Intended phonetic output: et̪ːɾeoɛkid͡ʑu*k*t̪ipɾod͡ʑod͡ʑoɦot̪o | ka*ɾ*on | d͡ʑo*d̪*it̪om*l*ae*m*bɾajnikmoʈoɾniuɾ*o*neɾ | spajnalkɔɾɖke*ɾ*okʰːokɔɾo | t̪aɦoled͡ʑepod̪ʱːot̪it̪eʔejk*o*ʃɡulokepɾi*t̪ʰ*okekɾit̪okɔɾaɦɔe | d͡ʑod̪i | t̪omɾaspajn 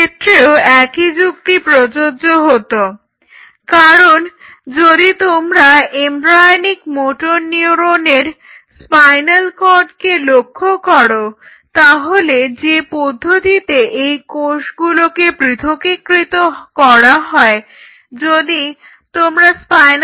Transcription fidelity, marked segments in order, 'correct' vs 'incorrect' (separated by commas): correct, correct, correct, incorrect, correct, correct, incorrect, correct, correct